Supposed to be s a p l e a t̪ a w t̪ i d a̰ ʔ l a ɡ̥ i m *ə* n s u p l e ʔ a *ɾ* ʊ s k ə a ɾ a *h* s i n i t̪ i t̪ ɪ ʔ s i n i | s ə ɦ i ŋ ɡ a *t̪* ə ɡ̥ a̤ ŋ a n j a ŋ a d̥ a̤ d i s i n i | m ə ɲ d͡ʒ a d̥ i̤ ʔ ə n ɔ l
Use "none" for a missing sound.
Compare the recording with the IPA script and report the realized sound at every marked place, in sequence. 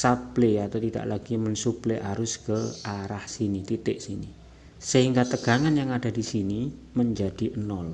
ə, ɾ, h, t̪

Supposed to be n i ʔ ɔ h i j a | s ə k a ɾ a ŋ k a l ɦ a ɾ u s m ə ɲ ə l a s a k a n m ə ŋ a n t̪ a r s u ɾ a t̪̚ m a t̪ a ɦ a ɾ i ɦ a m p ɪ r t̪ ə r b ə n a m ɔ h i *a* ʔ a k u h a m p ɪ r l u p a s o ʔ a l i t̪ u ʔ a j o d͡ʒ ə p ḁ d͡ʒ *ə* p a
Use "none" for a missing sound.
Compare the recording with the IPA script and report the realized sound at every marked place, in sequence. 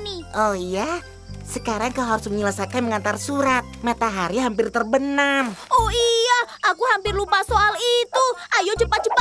a, ə

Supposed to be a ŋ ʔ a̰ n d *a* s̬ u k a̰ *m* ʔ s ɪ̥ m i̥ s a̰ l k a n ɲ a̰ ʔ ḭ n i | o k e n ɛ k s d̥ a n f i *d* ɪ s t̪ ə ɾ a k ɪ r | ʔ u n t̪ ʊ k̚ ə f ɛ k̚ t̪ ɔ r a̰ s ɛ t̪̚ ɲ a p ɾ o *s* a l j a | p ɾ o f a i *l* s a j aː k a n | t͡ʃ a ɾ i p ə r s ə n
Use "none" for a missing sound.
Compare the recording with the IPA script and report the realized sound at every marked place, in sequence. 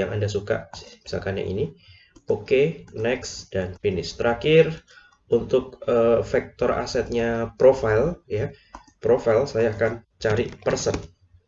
a, none, n, f, l

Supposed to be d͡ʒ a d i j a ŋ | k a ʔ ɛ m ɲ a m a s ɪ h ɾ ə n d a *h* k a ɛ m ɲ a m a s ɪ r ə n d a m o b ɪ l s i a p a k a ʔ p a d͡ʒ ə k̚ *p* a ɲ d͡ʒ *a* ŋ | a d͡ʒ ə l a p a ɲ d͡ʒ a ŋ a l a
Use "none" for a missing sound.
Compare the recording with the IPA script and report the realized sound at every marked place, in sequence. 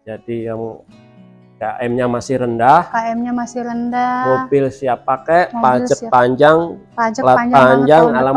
h, p, a

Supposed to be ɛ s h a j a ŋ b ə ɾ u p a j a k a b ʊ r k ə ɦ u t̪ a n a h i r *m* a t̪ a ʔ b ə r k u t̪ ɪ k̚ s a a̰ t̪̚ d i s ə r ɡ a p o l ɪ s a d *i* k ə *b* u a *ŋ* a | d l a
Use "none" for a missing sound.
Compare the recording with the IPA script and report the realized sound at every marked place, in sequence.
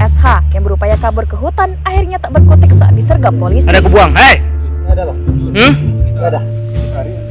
ɲ, a, b, ŋ

